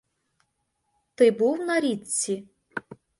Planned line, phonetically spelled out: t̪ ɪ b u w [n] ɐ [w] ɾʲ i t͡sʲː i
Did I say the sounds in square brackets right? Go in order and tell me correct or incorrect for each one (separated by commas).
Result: correct, incorrect